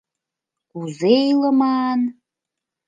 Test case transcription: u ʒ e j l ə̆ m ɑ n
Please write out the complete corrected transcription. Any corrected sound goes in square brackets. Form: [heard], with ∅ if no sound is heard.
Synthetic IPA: u [z] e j l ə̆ m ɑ n